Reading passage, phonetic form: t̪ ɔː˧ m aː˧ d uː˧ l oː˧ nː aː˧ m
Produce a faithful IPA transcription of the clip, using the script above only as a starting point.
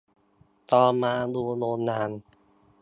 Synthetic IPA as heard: t̪ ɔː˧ m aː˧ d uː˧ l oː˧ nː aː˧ n